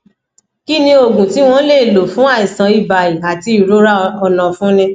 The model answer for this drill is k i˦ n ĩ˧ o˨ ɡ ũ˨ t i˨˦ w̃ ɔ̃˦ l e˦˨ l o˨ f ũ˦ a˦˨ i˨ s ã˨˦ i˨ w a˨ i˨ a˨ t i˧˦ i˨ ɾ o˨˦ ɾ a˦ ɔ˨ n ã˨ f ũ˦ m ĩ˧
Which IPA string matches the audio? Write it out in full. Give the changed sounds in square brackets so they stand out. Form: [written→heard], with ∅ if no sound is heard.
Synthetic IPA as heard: k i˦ n ĩ˧ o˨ ɡ ũ˨ t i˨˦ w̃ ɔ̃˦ l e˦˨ l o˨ f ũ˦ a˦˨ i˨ s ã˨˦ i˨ [w→b] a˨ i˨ a˨ t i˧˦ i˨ ɾ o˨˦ ɾ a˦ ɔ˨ n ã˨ f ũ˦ [m→n] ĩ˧